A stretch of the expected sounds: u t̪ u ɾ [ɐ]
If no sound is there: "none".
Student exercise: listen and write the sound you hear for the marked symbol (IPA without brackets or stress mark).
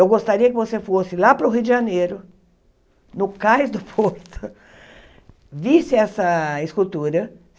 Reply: ɐ